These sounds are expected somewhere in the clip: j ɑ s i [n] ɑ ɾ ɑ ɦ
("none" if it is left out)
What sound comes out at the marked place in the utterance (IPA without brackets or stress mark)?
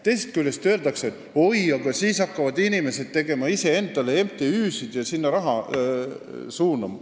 nː